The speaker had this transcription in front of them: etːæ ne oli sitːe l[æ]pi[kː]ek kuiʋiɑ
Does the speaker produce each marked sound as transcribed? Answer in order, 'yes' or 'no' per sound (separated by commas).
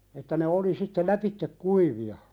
yes, no